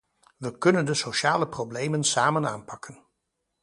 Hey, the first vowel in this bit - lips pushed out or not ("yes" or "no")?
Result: no